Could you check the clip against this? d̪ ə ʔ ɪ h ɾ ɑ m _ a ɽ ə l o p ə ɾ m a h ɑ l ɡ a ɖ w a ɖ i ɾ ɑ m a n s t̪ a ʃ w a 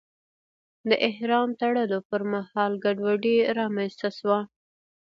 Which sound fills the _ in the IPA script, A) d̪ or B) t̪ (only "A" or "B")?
B